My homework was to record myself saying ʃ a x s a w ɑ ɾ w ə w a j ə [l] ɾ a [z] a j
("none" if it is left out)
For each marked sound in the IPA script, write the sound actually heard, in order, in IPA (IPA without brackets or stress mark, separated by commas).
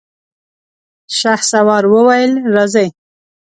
l, z